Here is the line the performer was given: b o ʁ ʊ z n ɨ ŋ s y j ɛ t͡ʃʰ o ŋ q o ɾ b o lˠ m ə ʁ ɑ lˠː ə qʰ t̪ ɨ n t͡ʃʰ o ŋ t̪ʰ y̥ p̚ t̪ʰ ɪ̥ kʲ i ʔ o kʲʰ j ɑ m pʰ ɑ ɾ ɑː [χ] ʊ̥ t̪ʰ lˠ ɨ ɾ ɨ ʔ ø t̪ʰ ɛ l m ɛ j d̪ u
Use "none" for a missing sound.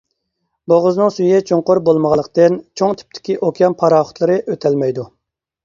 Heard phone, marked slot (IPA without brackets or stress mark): χ